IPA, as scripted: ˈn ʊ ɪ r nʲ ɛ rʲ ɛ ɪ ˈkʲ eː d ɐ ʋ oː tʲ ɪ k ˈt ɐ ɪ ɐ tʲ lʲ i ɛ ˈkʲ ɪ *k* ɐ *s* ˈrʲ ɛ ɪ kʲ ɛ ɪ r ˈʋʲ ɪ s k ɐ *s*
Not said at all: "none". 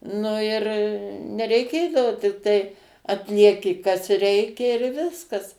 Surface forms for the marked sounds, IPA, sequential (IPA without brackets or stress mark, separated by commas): k, s, s